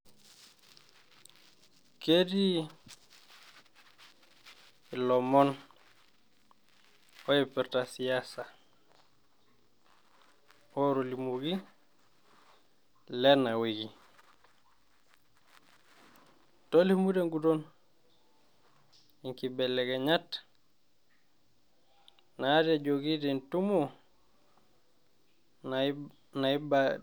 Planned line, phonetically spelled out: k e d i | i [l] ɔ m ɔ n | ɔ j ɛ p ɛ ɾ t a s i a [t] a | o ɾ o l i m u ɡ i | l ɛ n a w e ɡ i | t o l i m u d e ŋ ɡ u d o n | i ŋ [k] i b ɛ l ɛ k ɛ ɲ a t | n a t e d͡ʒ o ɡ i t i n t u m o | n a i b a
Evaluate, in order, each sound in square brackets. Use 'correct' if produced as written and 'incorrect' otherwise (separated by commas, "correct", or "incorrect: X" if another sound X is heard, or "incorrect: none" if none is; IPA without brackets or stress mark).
correct, incorrect: s, correct